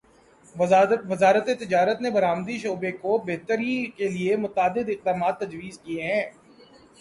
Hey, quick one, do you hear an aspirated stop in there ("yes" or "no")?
no